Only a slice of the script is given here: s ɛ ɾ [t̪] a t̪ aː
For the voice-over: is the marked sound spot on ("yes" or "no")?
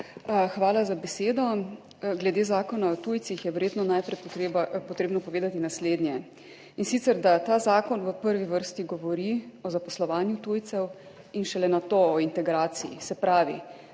no